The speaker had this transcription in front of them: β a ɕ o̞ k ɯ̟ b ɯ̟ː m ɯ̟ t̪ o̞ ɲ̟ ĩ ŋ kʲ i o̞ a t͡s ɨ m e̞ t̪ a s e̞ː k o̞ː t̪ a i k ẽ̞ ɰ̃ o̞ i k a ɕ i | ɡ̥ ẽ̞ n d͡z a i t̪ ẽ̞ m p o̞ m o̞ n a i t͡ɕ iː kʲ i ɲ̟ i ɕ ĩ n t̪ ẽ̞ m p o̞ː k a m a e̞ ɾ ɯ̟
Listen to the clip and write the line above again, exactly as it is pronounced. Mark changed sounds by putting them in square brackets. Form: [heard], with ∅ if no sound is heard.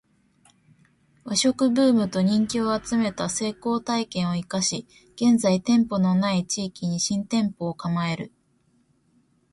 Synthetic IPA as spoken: β a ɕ o̞ k ɯ̟ b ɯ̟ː m ɯ̟ t̪ o̞ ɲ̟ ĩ ŋ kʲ i o̞ a t͡s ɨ m e̞ t̪ a s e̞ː k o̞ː t̪ a i k ẽ̞ ɰ̃ o̞ i k a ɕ i | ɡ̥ ẽ̞ n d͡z a i t̪ ẽ̞ m p o̞ [n] o̞ n a i t͡ɕ iː kʲ i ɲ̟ i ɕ ĩ n t̪ ẽ̞ m p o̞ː k a m a e̞ ɾ ɯ̟